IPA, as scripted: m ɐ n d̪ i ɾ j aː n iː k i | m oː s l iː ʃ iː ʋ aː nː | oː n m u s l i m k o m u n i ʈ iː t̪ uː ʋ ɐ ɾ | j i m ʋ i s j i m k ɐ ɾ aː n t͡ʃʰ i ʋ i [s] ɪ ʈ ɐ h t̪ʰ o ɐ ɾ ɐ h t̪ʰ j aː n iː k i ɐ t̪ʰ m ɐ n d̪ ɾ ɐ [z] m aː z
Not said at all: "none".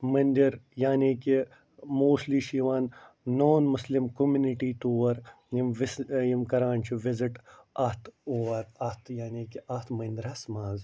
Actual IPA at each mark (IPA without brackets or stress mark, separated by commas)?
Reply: z, s